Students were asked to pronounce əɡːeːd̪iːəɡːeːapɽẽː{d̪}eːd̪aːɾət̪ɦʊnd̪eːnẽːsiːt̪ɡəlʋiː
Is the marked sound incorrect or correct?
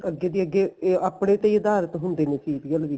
incorrect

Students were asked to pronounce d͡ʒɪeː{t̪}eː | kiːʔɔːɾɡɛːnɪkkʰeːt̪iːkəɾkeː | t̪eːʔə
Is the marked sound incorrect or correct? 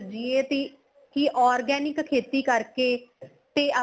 correct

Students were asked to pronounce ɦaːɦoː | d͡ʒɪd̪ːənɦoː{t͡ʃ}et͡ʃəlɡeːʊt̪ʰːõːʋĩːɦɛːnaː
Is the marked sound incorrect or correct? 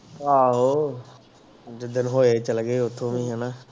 incorrect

